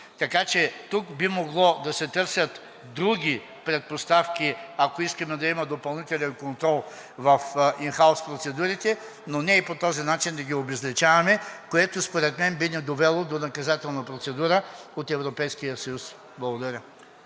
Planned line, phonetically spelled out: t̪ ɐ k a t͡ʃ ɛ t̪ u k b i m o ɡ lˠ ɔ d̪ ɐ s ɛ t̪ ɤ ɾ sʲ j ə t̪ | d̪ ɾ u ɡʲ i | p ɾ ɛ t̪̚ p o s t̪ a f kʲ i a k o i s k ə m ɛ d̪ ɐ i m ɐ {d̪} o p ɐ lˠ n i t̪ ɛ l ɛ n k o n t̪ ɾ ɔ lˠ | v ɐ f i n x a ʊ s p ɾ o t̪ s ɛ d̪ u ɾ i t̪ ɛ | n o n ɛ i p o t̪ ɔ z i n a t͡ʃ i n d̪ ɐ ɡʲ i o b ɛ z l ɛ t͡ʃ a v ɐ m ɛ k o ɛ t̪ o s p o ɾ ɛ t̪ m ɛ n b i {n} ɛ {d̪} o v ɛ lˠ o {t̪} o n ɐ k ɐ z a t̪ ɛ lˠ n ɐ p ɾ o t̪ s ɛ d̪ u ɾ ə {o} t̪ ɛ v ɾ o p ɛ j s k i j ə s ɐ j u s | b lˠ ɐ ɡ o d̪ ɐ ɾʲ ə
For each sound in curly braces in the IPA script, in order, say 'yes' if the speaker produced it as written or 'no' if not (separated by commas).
yes, yes, yes, no, yes